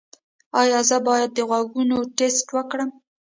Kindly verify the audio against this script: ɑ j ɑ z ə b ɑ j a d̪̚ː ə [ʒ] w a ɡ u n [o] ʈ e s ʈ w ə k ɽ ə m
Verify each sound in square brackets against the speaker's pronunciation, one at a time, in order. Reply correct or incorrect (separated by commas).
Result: incorrect, correct